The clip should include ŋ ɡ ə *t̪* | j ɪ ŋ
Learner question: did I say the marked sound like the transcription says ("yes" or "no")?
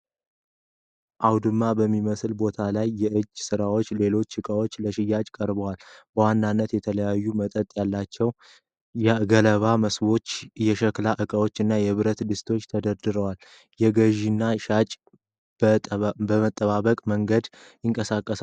no